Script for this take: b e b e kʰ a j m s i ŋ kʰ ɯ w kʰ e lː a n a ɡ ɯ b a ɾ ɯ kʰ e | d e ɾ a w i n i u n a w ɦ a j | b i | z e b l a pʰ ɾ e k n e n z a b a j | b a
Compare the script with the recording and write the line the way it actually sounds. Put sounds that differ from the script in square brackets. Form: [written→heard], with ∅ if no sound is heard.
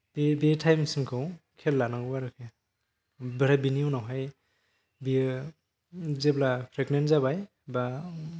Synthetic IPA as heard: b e b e [kʰ→tʰ] a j m s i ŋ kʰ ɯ w kʰ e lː a n a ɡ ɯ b a ɾ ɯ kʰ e | [d→b] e ɾ a [w→b] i n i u n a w ɦ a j | b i | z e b l a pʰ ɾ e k n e n z a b a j | b a